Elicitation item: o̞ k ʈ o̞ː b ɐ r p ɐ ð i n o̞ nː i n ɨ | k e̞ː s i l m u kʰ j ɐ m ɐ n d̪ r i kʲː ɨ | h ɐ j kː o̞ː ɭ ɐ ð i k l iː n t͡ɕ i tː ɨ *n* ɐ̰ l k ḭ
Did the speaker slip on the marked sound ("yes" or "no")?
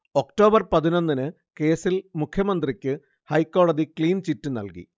no